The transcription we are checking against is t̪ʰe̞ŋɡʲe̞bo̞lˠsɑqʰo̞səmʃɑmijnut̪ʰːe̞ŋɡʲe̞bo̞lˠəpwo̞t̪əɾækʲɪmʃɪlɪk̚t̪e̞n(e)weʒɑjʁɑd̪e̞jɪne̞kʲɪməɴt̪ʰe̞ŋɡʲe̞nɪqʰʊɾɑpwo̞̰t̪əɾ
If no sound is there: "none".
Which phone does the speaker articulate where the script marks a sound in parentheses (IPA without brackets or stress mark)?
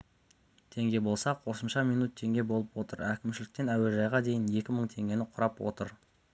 æ